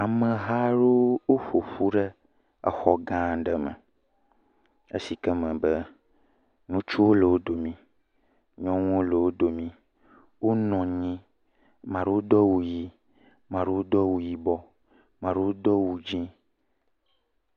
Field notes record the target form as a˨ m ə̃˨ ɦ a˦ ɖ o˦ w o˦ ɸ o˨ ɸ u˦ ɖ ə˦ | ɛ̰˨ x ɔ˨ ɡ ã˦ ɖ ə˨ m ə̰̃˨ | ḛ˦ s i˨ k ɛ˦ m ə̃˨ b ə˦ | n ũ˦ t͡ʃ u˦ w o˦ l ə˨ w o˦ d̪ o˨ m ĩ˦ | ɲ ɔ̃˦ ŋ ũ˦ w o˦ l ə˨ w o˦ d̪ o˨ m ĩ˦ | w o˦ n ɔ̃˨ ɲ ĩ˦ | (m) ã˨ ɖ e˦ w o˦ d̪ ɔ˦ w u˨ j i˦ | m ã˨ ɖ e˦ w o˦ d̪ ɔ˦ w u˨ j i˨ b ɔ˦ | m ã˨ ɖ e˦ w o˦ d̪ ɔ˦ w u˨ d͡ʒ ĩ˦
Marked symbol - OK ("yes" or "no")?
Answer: yes